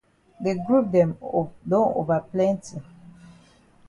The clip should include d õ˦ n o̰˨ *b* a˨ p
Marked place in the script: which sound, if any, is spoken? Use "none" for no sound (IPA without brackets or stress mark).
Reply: v